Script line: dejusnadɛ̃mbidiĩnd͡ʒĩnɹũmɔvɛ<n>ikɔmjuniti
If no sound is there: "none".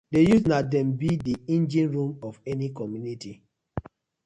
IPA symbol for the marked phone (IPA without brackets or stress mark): n